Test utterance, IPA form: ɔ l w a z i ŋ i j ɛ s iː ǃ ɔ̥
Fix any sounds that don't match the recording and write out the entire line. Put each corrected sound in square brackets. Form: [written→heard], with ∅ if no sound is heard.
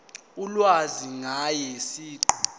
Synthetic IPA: [ɔ→u] l w a z i ŋ [i→a] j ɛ s iː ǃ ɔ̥